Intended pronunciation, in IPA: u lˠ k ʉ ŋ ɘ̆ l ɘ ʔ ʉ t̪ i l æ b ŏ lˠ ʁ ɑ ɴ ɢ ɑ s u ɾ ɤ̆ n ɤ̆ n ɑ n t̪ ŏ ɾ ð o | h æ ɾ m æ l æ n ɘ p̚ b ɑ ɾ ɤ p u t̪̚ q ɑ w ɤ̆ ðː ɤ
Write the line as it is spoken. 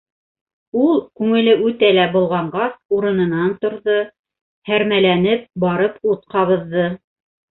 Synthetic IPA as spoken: u lˠ k ʉ ŋ ɘ̆ l ɘ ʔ ʉ t̪ æ l æ b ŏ lˠ ʁ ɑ ɴ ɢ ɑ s u ɾ ɤ̆ n ɤ̆ n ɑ n t̪ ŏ ɾ ð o | h æ ɾ m æ l æ n ɘ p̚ b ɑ ɾ ɤ p u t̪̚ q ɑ β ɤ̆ ðː ɤ